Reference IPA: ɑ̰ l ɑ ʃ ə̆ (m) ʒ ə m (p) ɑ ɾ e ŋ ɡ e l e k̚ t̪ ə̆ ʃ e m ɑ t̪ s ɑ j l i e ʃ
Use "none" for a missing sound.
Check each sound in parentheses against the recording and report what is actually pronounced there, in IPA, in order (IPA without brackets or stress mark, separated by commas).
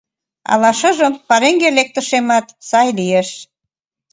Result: none, p